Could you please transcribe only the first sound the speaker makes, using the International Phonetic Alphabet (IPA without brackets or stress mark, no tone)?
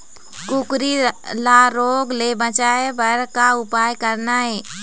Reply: k